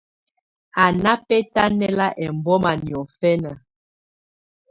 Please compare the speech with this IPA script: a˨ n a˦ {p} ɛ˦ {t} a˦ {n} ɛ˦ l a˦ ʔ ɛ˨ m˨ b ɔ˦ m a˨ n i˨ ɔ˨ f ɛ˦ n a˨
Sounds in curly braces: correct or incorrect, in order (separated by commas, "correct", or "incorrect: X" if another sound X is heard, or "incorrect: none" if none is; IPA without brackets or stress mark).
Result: correct, correct, correct